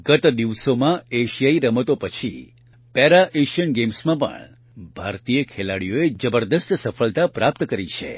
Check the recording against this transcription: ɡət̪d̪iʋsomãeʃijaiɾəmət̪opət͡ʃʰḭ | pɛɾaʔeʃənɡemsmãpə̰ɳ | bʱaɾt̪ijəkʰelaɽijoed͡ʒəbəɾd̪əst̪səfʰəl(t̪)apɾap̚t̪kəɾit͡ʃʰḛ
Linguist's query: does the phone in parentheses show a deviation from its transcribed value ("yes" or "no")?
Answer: no